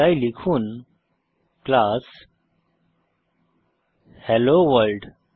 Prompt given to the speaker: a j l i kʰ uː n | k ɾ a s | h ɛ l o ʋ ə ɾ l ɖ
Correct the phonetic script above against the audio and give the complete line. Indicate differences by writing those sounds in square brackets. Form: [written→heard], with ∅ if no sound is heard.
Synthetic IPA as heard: a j l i kʰ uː n | k [ɾ→l] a s | h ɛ l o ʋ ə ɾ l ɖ